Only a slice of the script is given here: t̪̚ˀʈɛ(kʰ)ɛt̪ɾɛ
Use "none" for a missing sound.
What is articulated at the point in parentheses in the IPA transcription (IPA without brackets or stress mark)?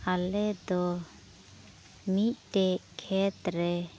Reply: kʰ